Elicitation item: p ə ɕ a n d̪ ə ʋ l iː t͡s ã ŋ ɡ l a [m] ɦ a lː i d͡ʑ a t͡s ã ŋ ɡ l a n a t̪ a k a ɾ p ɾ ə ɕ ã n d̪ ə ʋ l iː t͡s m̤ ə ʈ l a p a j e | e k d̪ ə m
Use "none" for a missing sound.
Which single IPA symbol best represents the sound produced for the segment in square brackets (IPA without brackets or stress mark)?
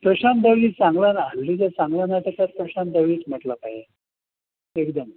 n